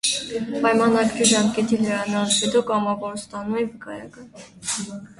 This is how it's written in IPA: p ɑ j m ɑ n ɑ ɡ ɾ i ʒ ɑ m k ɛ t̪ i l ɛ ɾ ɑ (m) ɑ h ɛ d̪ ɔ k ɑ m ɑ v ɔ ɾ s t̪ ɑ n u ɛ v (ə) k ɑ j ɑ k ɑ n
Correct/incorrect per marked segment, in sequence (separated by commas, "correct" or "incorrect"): incorrect, correct